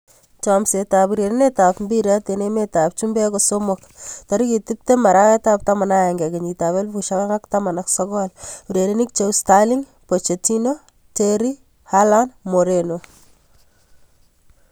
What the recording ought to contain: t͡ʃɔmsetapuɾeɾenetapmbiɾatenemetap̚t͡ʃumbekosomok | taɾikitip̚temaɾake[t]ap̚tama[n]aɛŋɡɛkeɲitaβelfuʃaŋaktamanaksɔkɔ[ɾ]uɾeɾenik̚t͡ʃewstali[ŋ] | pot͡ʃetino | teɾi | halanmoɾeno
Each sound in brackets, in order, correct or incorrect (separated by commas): correct, correct, incorrect, correct